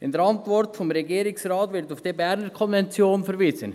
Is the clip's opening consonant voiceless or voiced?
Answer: voiced